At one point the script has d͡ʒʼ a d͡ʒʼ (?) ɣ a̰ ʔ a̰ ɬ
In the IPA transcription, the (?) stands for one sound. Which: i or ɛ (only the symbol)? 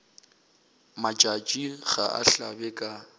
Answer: i